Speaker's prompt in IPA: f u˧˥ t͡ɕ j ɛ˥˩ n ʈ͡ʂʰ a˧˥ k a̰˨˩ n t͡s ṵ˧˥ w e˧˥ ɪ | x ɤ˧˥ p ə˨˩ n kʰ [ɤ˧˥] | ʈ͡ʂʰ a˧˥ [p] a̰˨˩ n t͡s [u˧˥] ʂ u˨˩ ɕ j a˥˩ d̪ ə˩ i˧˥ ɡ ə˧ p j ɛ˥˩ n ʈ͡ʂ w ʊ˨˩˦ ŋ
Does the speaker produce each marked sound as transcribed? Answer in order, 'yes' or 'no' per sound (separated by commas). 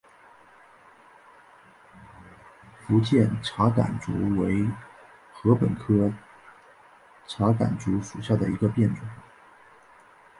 no, no, yes